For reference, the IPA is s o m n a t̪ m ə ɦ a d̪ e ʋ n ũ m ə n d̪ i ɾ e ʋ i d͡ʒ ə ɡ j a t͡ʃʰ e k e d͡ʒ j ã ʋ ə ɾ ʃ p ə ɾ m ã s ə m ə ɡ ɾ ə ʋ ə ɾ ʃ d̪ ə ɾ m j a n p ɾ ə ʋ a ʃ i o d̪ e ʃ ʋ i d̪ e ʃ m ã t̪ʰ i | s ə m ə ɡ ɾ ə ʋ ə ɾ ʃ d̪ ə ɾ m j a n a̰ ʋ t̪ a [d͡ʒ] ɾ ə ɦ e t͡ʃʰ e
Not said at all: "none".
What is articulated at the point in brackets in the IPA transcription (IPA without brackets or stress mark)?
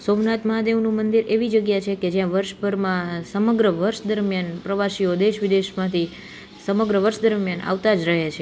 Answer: d͡ʒ